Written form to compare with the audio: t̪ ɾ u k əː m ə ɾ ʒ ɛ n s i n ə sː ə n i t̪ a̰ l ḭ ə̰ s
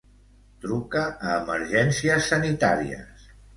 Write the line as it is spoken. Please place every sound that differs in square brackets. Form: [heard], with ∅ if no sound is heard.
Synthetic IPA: t̪ ɾ u k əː m ə ɾ ʒ ɛ n s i [∅] ə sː ə n i t̪ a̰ [ɾ] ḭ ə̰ s